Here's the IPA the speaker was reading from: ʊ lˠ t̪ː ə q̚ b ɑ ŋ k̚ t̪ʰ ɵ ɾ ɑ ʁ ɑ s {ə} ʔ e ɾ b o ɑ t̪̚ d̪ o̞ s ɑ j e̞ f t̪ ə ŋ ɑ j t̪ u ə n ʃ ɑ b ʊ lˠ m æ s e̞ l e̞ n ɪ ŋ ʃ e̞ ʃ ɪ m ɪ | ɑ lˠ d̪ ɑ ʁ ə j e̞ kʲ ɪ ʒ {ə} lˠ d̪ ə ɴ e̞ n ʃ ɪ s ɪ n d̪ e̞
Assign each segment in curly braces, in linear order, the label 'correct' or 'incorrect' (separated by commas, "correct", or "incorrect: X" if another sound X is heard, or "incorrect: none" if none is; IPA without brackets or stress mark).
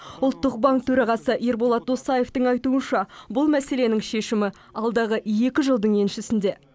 correct, correct